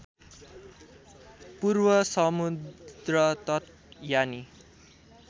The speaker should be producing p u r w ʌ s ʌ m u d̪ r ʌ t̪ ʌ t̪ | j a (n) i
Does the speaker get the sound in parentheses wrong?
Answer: no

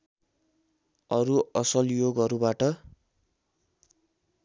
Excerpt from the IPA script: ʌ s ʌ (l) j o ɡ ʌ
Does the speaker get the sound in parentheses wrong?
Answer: no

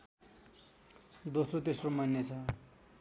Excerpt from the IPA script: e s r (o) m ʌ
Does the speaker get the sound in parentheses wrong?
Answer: no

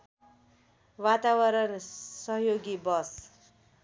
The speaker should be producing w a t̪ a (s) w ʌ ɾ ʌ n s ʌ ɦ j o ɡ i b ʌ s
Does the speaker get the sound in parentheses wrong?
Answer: yes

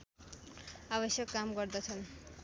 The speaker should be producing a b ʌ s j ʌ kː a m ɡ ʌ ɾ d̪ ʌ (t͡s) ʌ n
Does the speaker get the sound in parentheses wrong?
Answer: yes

